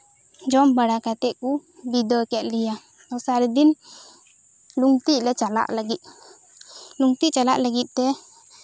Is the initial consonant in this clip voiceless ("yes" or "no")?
no